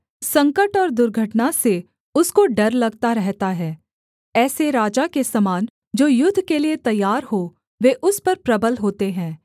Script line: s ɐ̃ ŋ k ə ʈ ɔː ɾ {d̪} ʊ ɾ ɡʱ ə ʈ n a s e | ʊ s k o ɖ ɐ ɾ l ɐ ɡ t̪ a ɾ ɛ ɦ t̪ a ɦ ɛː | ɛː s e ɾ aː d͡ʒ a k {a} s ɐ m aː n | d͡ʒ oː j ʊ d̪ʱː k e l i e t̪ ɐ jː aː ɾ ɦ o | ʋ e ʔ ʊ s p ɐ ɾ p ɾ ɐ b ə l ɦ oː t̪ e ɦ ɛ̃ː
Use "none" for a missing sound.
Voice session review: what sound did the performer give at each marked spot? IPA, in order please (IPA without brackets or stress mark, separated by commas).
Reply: d̪, e